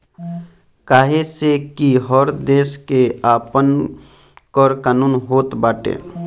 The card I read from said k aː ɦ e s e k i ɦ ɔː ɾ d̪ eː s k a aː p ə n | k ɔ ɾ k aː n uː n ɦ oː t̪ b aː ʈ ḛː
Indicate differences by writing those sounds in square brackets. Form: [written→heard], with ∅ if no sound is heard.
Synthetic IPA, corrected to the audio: k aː ɦ e s e k i ɦ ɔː ɾ d̪ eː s k [a→e] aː p ə n | k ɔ ɾ k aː n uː n ɦ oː t̪ b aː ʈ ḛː